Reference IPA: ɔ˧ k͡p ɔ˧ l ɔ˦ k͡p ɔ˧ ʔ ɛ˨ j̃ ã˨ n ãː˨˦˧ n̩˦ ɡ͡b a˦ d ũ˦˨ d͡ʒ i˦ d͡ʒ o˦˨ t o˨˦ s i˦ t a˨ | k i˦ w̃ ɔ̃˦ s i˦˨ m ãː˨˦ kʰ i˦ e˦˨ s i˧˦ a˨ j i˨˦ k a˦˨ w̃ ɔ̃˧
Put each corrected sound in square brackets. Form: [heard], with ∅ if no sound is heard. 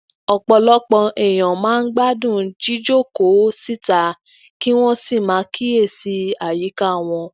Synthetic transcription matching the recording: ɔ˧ k͡p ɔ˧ l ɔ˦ k͡p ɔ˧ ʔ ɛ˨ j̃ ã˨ [m] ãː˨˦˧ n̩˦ ɡ͡b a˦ d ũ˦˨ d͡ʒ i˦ d͡ʒ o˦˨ [k] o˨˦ s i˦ t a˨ | k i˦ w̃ ɔ̃˦ s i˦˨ m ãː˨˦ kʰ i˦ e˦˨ s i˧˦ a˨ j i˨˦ k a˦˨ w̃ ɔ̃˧